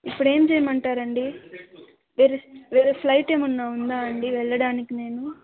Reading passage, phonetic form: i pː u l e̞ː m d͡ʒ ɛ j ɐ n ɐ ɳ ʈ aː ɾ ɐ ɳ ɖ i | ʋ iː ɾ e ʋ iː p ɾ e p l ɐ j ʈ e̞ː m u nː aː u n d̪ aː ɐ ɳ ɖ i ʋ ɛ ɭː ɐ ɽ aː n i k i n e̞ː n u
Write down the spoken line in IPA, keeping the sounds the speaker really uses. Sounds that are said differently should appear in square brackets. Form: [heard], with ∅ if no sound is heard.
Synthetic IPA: i pː u [ɽ] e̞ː m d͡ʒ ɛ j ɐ [m] ɐ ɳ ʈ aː ɾ ɐ ɳ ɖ i | ʋ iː ɾ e ʋ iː [∅] ɾ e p l ɐ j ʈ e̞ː m u nː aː u n d̪ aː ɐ ɳ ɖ i ʋ ɛ ɭː ɐ ɽ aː n i k i n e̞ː n u